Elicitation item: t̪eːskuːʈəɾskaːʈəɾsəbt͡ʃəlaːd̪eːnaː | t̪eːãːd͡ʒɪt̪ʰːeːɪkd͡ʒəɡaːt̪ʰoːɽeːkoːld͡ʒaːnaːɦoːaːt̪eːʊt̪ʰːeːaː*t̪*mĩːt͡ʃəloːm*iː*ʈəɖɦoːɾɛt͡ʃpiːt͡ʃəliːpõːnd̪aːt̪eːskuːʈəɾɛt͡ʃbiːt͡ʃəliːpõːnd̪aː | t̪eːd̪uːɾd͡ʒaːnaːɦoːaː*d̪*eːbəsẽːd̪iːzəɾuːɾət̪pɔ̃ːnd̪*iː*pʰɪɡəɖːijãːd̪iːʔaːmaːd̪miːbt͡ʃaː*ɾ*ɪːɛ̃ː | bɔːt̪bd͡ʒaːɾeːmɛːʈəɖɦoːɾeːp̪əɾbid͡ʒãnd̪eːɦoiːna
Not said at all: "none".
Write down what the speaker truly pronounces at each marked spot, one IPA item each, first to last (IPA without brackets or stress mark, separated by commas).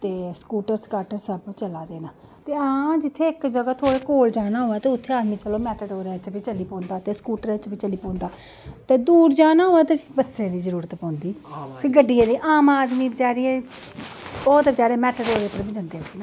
d̪, ɛː, t̪, iː, ɾ